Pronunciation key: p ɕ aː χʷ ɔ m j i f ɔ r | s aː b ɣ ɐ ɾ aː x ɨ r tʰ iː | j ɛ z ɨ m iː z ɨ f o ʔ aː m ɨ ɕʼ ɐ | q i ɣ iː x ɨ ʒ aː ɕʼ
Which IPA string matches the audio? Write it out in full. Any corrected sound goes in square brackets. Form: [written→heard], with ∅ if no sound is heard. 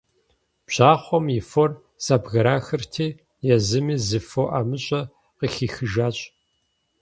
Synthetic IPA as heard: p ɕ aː χʷ ɔ m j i f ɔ r | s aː b ɣ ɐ ɾ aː x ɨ r tʰ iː | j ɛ z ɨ m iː z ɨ f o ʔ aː m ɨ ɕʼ ɐ | q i [ɣ→x] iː x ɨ ʒ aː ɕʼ